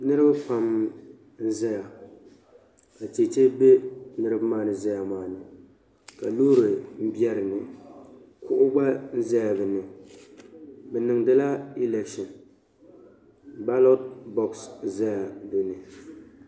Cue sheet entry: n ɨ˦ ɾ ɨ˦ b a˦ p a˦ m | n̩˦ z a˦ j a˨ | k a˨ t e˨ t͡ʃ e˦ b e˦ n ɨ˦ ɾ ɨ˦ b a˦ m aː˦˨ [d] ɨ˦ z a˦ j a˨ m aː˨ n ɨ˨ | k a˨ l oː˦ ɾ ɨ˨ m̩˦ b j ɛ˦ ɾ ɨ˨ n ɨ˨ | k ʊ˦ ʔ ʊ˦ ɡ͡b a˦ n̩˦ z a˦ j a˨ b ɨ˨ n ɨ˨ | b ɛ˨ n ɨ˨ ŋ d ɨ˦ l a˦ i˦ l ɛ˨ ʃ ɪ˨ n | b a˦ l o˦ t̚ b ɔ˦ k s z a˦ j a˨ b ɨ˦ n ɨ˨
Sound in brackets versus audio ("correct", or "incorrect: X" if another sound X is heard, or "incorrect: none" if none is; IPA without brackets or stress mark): incorrect: n